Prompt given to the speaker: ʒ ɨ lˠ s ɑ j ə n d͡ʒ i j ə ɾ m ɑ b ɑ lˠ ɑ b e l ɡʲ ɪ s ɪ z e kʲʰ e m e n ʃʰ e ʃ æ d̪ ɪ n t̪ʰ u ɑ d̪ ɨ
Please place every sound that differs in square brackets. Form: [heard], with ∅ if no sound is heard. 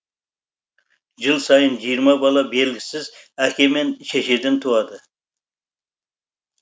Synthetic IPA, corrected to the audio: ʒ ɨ lˠ s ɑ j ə n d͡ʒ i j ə ɾ m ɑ b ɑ lˠ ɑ b e l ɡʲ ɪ s ɪ z [æ] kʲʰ e m e n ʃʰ e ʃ [e] d̪ ɪ n t̪ʰ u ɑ d̪ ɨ